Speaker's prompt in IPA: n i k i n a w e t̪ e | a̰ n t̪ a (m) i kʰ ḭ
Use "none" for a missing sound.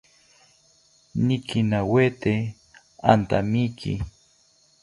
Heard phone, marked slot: m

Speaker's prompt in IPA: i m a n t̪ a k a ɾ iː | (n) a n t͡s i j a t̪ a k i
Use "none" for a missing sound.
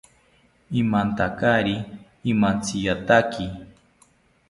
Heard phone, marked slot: m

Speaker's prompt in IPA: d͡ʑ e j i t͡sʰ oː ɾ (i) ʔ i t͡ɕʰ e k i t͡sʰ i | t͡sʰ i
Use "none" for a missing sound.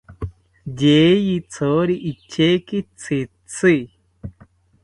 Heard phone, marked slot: i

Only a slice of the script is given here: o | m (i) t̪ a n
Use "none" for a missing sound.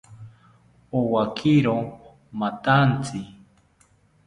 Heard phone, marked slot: a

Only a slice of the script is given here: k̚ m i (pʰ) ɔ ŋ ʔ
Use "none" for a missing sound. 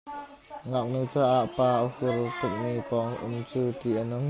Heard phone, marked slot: p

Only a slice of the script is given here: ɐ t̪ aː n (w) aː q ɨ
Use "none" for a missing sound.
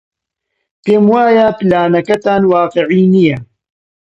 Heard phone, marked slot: w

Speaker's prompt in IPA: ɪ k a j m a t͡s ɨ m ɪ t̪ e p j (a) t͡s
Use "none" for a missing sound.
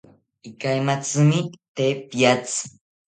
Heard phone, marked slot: a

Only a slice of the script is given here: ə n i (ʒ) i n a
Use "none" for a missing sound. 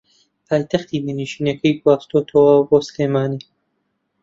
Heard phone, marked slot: ʃ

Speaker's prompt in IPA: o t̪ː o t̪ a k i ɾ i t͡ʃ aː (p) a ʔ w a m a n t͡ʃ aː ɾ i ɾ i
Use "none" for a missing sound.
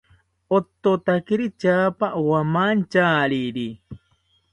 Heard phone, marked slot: p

